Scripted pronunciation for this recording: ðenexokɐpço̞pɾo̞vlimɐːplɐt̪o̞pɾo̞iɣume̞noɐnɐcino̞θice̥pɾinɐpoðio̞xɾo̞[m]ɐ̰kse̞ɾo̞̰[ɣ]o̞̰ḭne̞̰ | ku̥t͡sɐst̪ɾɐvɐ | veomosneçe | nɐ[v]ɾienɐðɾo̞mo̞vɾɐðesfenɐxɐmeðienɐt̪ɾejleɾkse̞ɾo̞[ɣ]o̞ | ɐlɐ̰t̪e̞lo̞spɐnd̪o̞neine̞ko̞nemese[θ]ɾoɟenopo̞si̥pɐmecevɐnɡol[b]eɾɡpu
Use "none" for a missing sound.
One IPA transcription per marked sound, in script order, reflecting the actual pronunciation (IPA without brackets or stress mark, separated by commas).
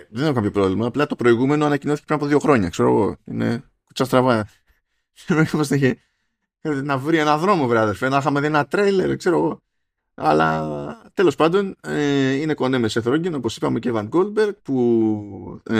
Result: ɲ, ɣ, v, ɣ, θ, b